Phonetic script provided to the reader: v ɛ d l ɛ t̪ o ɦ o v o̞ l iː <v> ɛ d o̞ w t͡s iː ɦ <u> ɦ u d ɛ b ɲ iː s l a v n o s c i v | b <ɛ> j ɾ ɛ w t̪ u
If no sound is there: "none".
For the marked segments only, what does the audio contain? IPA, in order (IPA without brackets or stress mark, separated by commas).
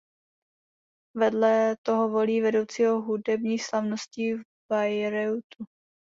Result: v, o, a